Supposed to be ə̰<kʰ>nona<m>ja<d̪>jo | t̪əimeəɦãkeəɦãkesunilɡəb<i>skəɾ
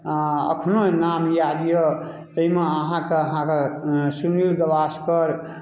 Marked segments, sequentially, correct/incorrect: correct, correct, correct, incorrect

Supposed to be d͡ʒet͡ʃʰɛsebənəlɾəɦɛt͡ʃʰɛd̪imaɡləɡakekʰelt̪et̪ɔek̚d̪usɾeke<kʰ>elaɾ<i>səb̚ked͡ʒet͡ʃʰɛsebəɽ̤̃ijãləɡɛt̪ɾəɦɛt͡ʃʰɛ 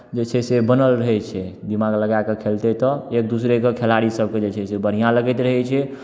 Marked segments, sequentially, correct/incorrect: correct, correct

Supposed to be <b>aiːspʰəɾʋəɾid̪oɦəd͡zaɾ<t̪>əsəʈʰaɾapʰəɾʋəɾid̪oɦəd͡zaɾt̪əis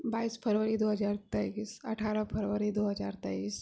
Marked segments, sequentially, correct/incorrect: correct, correct

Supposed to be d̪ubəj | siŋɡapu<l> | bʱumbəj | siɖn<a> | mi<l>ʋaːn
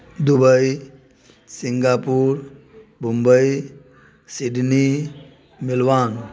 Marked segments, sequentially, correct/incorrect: incorrect, incorrect, correct

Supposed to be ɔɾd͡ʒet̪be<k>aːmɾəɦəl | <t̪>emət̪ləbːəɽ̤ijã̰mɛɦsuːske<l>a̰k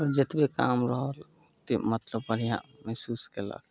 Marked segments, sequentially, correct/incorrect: correct, correct, correct

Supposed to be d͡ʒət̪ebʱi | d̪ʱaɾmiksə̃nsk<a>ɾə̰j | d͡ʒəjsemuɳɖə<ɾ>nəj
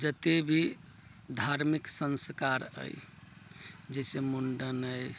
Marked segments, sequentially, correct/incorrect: correct, incorrect

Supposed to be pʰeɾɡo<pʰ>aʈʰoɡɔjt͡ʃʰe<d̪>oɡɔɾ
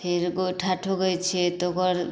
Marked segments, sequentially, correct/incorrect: incorrect, incorrect

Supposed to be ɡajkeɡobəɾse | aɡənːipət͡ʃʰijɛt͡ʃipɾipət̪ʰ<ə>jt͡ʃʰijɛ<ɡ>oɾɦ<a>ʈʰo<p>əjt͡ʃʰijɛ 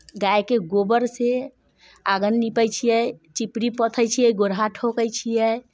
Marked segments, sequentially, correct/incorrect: correct, correct, correct, incorrect

